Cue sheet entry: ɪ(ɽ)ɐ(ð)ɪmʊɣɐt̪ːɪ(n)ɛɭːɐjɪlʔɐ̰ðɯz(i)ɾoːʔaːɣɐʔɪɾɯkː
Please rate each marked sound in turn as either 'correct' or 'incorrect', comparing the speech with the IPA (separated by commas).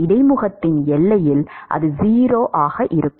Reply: correct, incorrect, correct, incorrect